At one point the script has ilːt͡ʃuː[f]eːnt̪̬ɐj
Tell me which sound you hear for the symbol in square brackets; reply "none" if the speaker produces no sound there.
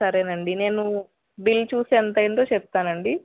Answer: s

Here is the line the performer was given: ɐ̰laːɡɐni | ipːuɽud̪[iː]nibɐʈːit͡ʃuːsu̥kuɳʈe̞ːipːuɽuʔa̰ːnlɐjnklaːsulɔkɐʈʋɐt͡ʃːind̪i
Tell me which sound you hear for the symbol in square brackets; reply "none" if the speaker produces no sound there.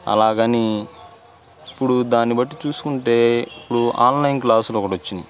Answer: aː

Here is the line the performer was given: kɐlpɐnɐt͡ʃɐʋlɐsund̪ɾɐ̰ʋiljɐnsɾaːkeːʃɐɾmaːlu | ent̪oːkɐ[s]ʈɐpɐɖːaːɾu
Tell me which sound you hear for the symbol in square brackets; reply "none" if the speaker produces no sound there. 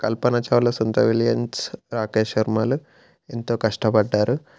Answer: ʂ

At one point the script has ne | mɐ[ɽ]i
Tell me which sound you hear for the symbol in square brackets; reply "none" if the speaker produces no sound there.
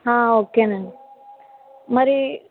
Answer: ɾ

